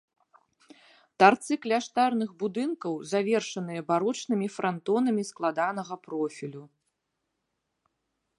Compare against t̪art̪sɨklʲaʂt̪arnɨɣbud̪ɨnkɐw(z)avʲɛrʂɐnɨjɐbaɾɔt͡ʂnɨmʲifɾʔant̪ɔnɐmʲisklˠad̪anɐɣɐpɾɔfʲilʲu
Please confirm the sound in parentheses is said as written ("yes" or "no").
yes